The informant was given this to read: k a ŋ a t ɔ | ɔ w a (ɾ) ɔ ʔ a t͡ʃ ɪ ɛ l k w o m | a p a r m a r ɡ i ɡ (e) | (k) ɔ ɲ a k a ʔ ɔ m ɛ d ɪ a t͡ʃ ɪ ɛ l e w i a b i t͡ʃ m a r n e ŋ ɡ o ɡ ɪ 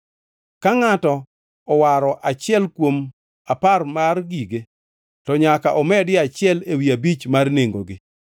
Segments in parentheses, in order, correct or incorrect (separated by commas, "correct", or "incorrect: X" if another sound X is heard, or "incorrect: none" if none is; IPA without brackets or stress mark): correct, correct, incorrect: t